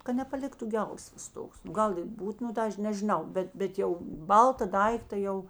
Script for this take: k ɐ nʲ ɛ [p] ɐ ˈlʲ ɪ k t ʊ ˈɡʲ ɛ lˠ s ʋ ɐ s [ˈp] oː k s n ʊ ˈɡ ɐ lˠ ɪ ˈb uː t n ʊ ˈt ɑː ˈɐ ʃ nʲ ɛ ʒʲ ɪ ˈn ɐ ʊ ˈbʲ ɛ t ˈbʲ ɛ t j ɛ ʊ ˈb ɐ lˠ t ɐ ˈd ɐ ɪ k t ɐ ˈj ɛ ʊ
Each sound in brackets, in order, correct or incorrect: correct, incorrect

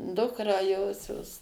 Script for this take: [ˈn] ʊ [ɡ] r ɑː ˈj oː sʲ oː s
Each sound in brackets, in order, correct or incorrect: incorrect, incorrect

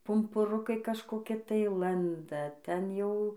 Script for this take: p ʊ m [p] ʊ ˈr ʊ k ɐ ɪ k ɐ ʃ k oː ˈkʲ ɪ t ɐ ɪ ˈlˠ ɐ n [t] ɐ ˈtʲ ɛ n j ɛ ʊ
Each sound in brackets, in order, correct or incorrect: correct, incorrect

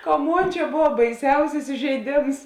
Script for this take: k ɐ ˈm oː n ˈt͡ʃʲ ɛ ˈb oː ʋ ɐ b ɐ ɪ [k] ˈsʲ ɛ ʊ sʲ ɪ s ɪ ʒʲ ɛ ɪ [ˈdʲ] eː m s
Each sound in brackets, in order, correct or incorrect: incorrect, correct

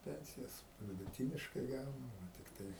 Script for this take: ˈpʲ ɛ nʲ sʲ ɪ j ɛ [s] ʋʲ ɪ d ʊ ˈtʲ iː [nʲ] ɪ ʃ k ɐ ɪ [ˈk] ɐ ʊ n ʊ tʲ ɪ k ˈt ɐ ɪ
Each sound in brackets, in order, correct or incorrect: correct, correct, incorrect

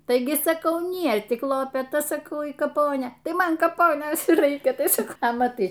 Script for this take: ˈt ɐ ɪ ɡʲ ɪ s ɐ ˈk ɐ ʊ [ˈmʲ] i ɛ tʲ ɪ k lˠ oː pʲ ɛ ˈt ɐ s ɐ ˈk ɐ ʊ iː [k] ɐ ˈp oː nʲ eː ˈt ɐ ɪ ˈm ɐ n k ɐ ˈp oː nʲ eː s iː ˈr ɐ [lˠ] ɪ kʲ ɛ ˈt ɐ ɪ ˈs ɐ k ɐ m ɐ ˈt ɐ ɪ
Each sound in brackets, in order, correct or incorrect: incorrect, correct, incorrect

